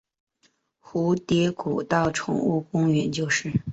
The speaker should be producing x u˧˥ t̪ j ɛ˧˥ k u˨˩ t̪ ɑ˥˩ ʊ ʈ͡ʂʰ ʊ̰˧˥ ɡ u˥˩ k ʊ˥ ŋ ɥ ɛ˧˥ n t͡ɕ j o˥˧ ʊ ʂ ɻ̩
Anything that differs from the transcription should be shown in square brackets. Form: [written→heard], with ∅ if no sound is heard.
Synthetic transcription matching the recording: x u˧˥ t̪ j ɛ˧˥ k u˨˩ t̪ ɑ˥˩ ʊ ʈ͡ʂʰ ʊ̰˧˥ [ɡ→ŋ] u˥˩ k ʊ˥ ŋ ɥ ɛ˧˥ n t͡ɕ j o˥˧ ʊ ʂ ɻ̩

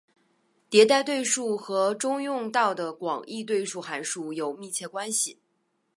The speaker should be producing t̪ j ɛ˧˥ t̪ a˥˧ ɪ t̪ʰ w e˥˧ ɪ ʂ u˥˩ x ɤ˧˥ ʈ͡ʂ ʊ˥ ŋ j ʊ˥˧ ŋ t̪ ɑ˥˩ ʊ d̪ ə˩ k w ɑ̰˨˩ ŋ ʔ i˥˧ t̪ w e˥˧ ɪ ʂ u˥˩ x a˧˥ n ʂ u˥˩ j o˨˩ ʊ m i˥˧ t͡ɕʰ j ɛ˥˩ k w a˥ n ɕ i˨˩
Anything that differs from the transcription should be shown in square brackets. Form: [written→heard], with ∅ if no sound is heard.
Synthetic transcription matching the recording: t̪ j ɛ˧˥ t̪ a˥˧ ɪ [t̪ʰ→t̪] w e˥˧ ɪ ʂ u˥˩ x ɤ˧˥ ʈ͡ʂ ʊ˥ ŋ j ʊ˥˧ ŋ t̪ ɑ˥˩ ʊ d̪ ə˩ k w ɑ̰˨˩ ŋ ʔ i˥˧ t̪ w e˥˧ ɪ ʂ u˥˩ x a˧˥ n ʂ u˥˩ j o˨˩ ʊ m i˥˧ t͡ɕʰ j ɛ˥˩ k w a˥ n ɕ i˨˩

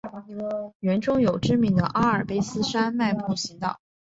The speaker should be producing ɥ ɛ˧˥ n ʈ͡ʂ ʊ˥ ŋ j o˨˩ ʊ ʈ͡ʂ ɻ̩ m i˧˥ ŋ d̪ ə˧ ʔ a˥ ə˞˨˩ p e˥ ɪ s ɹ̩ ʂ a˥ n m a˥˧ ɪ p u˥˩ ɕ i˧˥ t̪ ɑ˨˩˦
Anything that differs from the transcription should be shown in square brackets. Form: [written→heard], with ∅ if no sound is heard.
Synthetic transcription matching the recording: ɥ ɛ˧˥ n ʈ͡ʂ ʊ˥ ŋ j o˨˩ ʊ ʈ͡ʂ ɻ̩ m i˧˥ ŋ d̪ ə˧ ʔ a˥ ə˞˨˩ p e˥ ɪ s ɹ̩ ʂ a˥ n m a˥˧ ɪ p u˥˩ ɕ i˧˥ t̪ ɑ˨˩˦

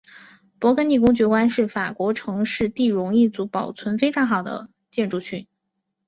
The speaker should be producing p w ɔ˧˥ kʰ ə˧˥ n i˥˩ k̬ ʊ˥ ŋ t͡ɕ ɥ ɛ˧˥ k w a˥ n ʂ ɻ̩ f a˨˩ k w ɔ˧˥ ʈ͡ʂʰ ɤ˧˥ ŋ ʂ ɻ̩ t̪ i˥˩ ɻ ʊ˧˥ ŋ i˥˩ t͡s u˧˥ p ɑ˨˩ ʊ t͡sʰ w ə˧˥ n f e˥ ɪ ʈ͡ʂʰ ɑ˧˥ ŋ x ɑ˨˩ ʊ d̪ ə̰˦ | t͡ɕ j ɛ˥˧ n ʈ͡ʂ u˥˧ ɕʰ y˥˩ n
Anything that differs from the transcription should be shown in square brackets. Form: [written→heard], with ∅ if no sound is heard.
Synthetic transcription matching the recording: p w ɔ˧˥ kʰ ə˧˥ n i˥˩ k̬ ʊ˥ ŋ t͡ɕ ɥ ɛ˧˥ k w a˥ n ʂ ɻ̩ f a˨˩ k w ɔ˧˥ ʈ͡ʂʰ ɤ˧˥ ŋ ʂ ɻ̩ t̪ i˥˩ ɻ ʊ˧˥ ŋ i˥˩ t͡s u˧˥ p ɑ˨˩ ʊ t͡sʰ w ə˧˥ n f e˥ ɪ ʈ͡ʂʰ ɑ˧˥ ŋ x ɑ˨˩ ʊ d̪ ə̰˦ | t͡ɕ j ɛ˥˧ n ʈ͡ʂ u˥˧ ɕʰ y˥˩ n

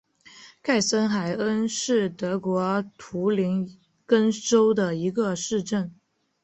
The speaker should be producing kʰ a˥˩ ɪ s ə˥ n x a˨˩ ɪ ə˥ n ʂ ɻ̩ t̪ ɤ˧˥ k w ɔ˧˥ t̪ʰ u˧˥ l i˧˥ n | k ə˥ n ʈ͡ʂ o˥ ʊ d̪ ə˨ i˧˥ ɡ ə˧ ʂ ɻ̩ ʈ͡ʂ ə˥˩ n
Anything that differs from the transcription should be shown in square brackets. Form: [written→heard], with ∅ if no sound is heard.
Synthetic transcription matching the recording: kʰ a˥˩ ɪ s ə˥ n x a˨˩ ɪ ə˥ n ʂ ɻ̩ t̪ ɤ˧˥ k w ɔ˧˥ t̪ʰ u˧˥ l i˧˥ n | k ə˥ n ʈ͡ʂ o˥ ʊ d̪ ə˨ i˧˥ ɡ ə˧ ʂ ɻ̩ ʈ͡ʂ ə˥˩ n

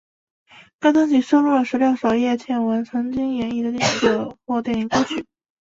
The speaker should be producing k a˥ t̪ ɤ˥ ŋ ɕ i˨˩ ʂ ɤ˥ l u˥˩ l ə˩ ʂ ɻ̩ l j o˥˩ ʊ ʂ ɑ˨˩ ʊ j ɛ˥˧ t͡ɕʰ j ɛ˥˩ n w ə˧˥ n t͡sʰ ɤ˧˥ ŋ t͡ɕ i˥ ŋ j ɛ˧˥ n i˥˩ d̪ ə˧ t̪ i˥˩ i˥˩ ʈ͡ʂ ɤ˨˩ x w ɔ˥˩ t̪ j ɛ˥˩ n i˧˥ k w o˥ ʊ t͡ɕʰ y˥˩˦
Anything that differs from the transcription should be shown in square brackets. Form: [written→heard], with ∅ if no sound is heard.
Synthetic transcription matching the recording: k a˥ t̪ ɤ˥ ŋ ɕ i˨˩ ʂ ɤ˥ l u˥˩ l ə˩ ʂ ɻ̩ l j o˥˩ ʊ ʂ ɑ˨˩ ʊ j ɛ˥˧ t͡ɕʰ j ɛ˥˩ n w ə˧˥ n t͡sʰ ɤ˧˥ ŋ t͡ɕ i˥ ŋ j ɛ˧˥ n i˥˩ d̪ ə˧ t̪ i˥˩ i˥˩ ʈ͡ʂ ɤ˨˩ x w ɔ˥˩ t̪ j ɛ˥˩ n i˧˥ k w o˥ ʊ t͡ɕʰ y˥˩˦

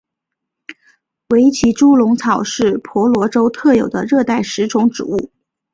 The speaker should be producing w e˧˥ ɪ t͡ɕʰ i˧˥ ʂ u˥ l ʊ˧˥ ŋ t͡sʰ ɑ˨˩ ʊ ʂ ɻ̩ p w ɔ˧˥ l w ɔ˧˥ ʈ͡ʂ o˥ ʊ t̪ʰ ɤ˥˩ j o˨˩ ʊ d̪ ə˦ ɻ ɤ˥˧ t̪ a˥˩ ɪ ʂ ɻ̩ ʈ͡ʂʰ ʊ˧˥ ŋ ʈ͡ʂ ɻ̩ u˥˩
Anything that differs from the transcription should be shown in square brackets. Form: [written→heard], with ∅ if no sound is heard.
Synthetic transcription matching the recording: w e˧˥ ɪ t͡ɕʰ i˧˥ [ʂ→ʈ͡ʂ] u˥ l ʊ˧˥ ŋ t͡sʰ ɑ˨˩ ʊ ʂ ɻ̩ [p→pʰ] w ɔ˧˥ l w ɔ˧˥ ʈ͡ʂ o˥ ʊ t̪ʰ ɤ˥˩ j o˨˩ ʊ d̪ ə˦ ɻ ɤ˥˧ t̪ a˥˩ ɪ ʂ ɻ̩ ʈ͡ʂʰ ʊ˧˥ ŋ ʈ͡ʂ ɻ̩ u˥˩

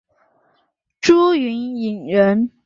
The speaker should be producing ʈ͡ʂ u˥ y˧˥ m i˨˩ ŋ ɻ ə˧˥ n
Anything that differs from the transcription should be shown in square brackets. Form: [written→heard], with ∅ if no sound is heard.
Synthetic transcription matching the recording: ʈ͡ʂ u˥ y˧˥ [m→n] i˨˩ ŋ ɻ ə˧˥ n

